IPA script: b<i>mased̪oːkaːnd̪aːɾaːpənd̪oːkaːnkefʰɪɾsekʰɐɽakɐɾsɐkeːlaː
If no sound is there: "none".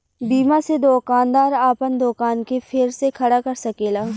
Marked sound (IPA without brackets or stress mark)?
iː